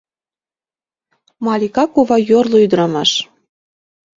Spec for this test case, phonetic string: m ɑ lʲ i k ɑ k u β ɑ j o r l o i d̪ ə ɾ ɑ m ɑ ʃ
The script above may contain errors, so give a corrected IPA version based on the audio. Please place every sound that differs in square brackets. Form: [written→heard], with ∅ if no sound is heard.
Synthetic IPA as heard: m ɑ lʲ i k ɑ k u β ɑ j o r l o [i→y] d̪ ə ɾ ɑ m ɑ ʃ